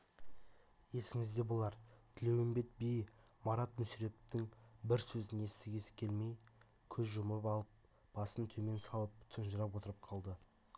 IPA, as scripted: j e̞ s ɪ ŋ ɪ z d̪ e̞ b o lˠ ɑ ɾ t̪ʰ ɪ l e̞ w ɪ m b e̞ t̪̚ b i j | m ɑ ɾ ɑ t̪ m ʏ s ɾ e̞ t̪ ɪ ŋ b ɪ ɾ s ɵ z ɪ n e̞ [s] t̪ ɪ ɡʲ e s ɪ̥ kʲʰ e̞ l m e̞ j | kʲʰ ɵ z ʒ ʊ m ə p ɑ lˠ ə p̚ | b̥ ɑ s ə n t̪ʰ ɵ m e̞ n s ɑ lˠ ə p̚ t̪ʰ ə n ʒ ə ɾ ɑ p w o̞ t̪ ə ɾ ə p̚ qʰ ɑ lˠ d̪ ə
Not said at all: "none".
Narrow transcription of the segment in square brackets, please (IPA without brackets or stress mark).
s